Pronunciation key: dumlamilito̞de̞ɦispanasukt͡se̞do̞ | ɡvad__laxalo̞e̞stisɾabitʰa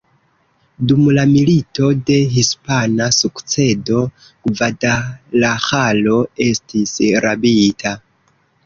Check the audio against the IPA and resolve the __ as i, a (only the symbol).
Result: a